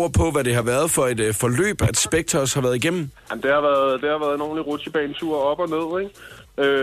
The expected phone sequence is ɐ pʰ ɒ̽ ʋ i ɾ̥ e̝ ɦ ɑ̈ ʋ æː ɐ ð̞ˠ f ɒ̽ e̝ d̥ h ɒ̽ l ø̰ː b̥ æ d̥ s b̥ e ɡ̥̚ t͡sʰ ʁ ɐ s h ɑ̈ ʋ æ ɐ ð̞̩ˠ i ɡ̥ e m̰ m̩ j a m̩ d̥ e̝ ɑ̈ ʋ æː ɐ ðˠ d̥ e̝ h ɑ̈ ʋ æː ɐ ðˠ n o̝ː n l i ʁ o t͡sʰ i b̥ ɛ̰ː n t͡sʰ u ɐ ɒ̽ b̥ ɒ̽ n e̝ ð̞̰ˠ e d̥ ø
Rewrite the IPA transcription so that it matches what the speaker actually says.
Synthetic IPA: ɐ pʰ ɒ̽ ʋ æ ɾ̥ e̝ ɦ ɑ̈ ʋ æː ɐ ð̞ˠ f ɒ̽ e̝ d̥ f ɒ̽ l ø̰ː b̥ æ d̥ s b̥ e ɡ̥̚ t͡sʰ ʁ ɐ s h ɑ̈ ʋ æ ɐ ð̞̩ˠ i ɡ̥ e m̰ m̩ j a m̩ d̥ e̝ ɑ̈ ʋ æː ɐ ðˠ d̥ e̝ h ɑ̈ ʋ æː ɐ ðˠ n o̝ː n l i ʁ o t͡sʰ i b̥ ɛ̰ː n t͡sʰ u ɐ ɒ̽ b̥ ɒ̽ n e̝ ð̞̰ˠ e ɡ̥ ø